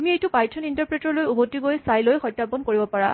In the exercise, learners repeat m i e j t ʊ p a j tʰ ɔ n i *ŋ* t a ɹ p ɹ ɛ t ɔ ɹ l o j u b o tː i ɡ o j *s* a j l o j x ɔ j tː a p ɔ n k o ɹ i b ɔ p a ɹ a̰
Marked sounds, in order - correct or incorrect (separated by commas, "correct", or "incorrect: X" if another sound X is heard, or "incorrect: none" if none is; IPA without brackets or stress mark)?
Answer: incorrect: n, correct